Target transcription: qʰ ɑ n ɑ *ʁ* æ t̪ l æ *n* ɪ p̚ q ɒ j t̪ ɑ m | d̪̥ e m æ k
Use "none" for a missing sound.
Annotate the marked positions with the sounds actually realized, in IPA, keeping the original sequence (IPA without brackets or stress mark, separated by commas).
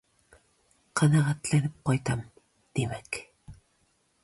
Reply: ʁ, n